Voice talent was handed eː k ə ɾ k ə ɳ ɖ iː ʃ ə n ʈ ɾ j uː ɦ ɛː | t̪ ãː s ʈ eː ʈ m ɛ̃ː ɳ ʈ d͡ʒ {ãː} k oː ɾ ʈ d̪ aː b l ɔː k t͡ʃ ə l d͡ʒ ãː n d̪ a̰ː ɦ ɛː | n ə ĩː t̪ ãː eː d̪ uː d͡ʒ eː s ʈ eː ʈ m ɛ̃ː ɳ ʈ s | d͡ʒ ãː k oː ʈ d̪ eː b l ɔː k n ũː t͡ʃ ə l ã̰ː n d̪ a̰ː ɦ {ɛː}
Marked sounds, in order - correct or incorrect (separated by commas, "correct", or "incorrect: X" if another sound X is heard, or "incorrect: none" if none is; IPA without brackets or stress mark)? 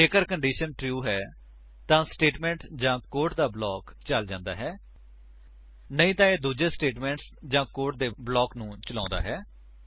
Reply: correct, correct